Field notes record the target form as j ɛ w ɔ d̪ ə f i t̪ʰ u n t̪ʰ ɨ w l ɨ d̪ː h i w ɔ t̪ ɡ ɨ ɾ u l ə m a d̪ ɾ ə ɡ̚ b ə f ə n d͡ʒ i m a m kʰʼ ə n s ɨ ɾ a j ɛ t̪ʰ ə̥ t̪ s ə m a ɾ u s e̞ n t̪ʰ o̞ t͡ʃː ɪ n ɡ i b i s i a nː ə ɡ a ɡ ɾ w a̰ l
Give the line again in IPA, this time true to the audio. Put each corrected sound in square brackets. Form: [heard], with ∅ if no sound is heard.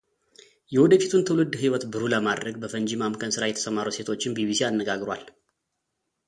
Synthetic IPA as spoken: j ɛ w ɔ d̪ ə f i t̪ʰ u n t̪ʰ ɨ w l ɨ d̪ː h i w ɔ t̪ [b] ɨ ɾ u l ə m a d̪ ɾ ə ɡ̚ b ə f ə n d͡ʒ i m a m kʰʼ ə n s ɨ ɾ a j ɛ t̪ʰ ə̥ [∅] s ə m a ɾ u s e̞ [∅] t̪ʰ o̞ t͡ʃː ɪ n [b] i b i s i a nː ə ɡ a ɡ ɾ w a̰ l

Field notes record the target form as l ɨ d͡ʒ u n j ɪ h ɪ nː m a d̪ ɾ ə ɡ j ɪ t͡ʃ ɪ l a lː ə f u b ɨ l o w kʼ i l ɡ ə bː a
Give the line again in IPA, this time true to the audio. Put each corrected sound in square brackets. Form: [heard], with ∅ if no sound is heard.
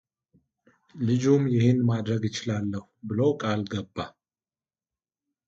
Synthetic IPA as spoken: l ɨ d͡ʒ u [m] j ɪ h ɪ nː m a d̪ ɾ ə ɡ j ɪ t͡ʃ ɪ l a lː ə [h] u b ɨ l o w kʼ [a] l ɡ ə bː a

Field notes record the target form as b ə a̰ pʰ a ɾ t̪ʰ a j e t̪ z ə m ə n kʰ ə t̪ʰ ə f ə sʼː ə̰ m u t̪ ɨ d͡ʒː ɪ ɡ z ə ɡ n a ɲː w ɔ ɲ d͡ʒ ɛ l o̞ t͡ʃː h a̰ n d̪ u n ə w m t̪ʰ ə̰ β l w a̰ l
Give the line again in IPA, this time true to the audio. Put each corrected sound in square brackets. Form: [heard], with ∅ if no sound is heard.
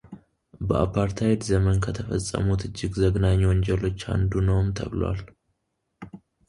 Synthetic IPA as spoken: b ə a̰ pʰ a ɾ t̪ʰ a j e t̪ z ə m ə n kʰ ə t̪ʰ ə f ə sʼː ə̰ m u t̪ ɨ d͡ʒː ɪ ɡ z ə ɡ n a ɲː w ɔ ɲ d͡ʒ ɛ l o̞ t͡ʃː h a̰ n d̪ u n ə w m t̪ʰ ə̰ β l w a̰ l

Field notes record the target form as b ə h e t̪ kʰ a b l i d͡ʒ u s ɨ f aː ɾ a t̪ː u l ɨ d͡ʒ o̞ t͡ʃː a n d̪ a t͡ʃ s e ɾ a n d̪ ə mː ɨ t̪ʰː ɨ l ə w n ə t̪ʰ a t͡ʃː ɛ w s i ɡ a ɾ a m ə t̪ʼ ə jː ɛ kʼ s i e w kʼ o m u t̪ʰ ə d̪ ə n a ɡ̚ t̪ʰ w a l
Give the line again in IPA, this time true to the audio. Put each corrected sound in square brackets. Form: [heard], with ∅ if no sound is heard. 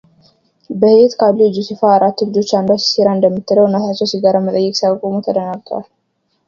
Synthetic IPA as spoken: b ə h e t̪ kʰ a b l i d͡ʒ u s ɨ f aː ɾ a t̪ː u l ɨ d͡ʒ o̞ t͡ʃː a n d̪ a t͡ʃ s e ɾ a n d̪ ə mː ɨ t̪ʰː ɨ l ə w n ə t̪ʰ a t͡ʃː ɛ w s i ɡ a ɾ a m ə t̪ʼ ə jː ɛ kʼ s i [a] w kʼ o m u t̪ʰ ə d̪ ə n a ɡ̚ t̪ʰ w a l

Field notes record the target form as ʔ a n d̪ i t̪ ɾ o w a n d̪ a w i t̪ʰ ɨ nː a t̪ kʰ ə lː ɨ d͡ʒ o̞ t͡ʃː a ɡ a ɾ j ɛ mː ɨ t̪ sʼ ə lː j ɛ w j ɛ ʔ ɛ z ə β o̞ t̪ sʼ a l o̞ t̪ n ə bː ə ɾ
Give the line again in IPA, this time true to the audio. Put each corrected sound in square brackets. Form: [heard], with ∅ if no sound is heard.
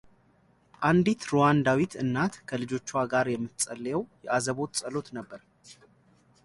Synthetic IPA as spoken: ʔ a n d̪ i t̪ ɾ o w a n d̪ a w i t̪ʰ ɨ nː a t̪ kʰ ə [l] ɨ d͡ʒ o̞ t͡ʃː a ɡ a ɾ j ɛ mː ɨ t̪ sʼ ə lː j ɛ w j ɛ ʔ [a] z ə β o̞ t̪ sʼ [ə] l o̞ t̪ n ə bː ə ɾ

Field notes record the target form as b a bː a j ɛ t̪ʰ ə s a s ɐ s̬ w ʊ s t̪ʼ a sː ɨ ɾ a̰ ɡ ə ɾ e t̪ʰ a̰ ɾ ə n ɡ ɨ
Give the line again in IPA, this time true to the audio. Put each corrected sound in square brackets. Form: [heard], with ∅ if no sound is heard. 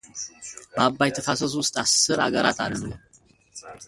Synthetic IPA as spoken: b a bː a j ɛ t̪ʰ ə [f] a s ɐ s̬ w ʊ s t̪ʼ a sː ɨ ɾ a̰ ɡ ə ɾ [a] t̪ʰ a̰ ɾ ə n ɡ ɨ

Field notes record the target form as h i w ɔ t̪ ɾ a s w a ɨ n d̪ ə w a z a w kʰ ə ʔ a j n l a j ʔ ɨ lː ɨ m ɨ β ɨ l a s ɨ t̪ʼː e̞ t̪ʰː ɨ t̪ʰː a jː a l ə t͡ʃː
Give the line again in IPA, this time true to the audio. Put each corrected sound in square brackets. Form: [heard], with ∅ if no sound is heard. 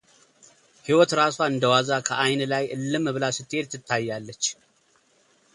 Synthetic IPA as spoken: h i w ɔ t̪ ɾ a s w a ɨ n d̪ ə w a z a [∅] kʰ ə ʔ a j n l a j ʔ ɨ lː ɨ m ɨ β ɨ l a s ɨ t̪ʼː e̞ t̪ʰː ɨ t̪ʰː a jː a [lː] ə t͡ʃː

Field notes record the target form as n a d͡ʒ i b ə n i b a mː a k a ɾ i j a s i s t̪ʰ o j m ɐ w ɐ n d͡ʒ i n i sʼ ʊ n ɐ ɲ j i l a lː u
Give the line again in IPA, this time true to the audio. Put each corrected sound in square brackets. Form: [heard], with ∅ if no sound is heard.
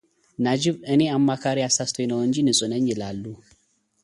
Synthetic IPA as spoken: n a d͡ʒ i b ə n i [∅] a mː a k a ɾ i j a s [a] s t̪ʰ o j [n] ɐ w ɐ n d͡ʒ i n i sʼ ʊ n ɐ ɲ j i l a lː u

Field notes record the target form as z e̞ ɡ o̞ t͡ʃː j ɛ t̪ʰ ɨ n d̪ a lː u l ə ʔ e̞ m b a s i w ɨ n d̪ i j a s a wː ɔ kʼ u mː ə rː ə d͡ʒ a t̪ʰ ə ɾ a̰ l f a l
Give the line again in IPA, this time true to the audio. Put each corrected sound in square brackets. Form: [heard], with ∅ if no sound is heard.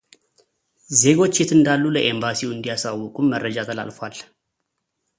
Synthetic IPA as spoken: z e̞ ɡ o̞ t͡ʃː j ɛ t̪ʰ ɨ n d̪ a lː u l ə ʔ e̞ m b a s i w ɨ n d̪ i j a s a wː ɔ kʼ u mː ə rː ə d͡ʒ a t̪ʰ ə [l] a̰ l f a l

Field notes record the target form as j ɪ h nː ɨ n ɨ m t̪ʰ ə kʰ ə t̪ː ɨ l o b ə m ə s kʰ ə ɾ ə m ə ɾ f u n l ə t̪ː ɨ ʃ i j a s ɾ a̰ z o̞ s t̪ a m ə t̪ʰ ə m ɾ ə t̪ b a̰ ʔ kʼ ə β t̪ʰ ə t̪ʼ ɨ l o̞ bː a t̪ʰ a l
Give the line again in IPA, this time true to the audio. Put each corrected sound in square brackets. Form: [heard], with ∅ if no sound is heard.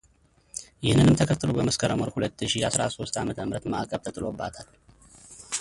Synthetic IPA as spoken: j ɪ h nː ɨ n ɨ m t̪ʰ ə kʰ ə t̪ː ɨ l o b ə m ə s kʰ ə ɾ ə m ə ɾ [h] u [∅] l ə t̪ː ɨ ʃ i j a s ɾ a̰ [s] o̞ s t̪ a m ə t̪ʰ ə m ɾ ə t̪ [m] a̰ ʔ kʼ ə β t̪ʰ ə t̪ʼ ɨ l o̞ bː a t̪ʰ a l

